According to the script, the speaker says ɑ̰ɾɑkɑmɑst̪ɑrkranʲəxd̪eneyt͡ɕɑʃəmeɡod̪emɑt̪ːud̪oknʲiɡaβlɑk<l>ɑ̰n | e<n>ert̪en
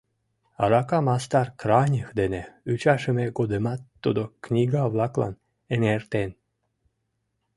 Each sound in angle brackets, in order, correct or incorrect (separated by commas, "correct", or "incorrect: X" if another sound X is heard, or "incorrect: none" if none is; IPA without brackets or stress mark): correct, correct